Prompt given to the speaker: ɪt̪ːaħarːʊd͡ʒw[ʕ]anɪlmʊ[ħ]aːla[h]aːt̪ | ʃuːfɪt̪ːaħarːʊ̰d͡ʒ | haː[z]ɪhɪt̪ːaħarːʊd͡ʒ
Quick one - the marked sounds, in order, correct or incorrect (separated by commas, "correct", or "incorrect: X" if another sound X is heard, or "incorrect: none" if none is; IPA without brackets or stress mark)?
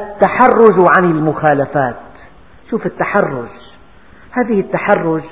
correct, incorrect: x, incorrect: f, incorrect: ð